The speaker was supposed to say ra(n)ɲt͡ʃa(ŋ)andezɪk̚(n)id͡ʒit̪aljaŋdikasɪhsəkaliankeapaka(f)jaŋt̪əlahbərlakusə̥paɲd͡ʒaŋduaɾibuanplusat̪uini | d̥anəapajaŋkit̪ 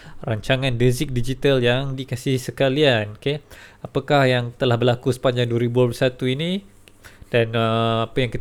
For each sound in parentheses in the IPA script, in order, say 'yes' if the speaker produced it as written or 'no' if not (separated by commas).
no, yes, no, no